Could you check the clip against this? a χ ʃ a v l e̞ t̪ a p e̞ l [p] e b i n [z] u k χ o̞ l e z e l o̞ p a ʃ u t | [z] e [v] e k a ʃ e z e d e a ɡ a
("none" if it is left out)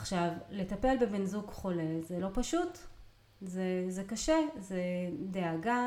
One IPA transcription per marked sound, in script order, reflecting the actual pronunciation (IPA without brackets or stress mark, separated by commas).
b, z, z, z